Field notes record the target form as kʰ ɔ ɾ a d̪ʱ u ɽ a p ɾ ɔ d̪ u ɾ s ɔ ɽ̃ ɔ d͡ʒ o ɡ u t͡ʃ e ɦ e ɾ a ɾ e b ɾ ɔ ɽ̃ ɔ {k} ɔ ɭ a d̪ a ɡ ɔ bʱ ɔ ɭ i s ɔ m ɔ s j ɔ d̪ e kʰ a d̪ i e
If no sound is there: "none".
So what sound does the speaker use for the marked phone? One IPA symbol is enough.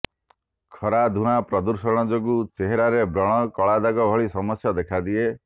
k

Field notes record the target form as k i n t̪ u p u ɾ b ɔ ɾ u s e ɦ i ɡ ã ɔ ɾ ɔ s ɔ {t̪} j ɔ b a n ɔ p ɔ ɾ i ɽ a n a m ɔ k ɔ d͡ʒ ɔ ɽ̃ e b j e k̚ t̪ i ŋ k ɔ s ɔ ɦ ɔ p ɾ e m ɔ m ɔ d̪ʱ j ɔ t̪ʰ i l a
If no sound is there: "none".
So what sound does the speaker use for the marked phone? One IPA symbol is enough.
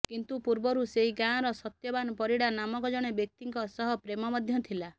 t̪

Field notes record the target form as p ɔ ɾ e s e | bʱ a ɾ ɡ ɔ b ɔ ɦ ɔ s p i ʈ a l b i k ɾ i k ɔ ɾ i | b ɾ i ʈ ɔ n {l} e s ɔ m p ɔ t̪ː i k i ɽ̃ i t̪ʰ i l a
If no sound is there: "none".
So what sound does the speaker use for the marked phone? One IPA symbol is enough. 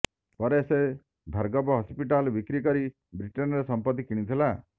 ɾ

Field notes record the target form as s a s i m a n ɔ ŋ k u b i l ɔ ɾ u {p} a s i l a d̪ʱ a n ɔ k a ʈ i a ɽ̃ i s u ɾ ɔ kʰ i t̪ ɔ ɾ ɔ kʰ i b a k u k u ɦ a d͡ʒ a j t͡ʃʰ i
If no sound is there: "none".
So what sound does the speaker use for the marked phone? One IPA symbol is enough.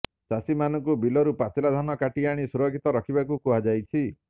p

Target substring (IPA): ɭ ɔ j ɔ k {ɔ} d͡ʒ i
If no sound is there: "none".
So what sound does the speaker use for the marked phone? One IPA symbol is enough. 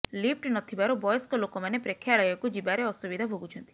u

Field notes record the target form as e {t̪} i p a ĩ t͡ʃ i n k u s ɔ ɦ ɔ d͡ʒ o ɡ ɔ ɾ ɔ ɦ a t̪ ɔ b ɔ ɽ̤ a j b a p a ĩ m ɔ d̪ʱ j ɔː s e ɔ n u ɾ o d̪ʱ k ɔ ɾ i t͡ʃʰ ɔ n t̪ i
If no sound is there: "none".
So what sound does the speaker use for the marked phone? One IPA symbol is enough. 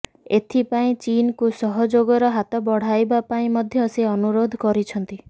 t̪ʰ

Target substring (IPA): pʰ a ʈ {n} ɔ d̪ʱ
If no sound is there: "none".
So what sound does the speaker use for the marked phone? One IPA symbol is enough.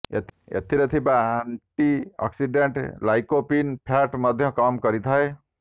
m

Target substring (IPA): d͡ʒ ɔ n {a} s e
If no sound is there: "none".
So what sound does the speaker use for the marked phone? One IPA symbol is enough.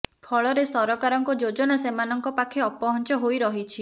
a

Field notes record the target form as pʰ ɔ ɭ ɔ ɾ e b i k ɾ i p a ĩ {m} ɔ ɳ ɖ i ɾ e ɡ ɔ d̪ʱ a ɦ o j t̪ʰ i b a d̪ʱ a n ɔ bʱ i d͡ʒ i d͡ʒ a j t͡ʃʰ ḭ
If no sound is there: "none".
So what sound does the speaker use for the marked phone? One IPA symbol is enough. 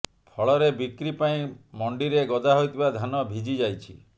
m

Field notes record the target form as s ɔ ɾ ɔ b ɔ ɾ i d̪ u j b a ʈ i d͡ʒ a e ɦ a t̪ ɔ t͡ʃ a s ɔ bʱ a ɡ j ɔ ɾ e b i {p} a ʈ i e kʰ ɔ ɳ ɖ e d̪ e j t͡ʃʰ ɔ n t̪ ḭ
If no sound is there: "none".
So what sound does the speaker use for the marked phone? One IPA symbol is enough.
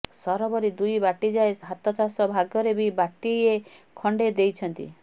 b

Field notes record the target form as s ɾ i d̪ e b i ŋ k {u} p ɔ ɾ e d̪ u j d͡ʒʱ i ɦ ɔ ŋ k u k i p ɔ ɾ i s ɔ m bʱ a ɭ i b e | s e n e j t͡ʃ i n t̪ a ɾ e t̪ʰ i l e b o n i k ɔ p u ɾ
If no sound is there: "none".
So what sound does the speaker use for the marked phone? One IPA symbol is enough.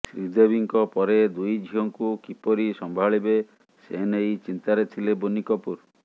ɔ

